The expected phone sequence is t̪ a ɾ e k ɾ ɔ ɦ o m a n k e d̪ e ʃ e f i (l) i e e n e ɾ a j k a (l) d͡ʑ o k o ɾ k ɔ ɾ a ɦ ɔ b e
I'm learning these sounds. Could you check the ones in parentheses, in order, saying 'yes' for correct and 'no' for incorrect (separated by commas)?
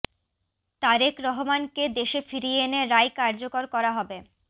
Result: no, no